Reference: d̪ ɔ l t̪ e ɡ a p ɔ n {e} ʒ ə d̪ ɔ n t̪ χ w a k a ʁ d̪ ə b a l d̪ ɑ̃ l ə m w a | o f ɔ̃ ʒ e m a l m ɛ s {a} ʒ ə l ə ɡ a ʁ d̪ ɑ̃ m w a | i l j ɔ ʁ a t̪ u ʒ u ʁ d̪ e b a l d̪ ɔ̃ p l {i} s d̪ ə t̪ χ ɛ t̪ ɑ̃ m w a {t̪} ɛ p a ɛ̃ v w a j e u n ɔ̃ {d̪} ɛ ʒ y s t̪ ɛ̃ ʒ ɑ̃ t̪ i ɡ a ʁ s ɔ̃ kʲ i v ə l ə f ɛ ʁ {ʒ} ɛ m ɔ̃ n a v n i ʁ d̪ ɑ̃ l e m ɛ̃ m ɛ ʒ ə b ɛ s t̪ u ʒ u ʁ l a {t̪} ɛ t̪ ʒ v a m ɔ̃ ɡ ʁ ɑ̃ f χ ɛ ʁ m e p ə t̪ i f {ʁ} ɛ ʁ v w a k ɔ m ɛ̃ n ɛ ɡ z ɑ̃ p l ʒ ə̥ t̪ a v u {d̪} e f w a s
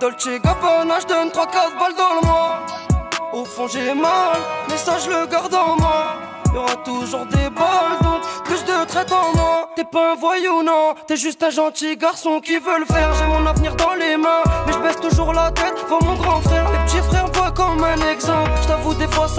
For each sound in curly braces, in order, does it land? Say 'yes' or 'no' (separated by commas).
no, yes, no, yes, no, yes, yes, no, yes